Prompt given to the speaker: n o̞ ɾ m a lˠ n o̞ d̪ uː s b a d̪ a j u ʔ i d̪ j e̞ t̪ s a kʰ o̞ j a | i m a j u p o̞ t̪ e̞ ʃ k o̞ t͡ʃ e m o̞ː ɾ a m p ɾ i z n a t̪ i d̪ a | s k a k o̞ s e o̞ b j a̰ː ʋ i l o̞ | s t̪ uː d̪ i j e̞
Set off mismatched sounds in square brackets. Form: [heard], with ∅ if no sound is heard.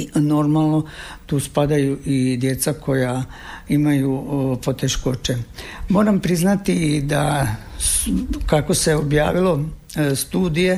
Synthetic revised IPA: n o̞ ɾ m a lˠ n o̞ [t̪] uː s [p] a d̪ a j u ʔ i d̪ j e̞ t̪ s a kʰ o̞ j a | i m a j u p o̞ t̪ e̞ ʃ k o̞ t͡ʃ e m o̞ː ɾ a m p ɾ i z n a t̪ i d̪ a | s k a k o̞ s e o̞ b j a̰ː ʋ i l o̞ | s t̪ uː d̪ i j e̞